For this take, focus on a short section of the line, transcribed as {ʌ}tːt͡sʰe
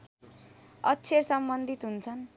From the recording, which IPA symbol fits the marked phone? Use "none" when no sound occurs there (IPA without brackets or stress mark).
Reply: ʌ